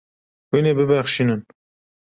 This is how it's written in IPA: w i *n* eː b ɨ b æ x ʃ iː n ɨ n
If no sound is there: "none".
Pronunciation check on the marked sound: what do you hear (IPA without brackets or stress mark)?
n